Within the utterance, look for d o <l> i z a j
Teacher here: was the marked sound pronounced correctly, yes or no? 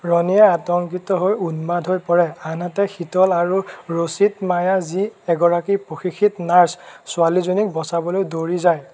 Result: no